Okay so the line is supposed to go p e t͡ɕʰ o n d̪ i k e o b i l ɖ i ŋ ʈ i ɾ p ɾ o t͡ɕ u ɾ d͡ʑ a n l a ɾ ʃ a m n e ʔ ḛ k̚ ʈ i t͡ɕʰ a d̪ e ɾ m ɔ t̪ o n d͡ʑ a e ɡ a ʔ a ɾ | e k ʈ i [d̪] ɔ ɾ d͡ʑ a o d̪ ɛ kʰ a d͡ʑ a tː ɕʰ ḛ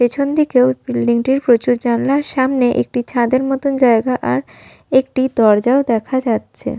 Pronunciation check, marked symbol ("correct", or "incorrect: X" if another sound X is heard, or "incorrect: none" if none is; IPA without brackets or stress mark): correct